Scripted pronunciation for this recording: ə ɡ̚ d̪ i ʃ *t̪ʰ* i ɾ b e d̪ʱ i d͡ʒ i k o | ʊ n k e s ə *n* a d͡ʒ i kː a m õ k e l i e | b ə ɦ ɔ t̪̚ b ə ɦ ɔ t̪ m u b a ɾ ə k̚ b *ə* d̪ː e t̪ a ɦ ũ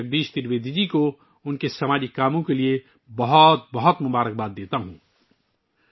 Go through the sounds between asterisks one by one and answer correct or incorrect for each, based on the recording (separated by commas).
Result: incorrect, incorrect, incorrect